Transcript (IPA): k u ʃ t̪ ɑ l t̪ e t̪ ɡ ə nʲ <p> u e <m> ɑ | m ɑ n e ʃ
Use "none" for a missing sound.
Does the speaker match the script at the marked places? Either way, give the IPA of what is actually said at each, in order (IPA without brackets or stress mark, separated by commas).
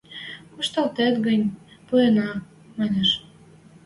p, n